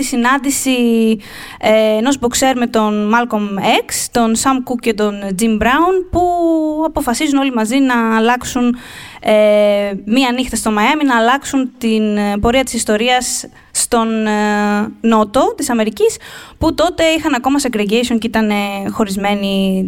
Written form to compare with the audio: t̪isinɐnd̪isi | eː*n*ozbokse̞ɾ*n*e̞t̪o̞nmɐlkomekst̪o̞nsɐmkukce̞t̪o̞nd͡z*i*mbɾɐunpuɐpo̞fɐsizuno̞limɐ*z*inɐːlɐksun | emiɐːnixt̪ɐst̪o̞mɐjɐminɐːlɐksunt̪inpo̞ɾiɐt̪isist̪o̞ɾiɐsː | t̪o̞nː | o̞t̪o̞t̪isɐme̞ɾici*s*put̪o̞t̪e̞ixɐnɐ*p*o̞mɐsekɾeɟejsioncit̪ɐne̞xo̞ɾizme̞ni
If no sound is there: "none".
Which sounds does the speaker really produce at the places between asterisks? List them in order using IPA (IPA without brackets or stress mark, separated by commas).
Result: n, m, i, z, s, k